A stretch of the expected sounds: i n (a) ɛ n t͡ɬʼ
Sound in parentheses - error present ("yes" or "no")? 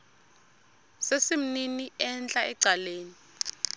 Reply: yes